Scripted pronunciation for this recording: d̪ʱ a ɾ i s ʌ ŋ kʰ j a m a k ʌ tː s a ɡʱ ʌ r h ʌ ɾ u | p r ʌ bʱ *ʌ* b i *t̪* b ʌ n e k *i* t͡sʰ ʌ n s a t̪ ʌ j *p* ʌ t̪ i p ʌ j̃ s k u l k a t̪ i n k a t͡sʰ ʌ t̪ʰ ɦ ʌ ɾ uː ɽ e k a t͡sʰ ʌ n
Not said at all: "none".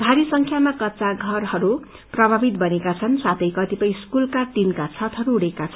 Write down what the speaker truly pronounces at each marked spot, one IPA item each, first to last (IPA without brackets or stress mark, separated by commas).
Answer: a, t̪, a, k